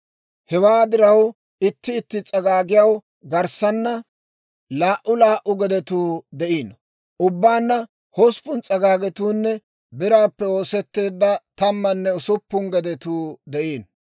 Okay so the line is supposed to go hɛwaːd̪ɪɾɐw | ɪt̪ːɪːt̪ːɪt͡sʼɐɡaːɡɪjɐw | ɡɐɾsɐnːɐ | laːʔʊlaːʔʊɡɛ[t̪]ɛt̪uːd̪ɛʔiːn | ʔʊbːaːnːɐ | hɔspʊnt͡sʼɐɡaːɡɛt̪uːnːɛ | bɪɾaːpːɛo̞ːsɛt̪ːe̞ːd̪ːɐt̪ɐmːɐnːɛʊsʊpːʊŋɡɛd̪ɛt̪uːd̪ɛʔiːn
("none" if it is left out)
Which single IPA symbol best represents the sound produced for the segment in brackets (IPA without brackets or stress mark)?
d̪